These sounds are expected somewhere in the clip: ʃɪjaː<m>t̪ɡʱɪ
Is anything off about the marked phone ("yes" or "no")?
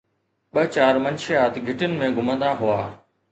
yes